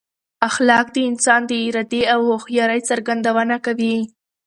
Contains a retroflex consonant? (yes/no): no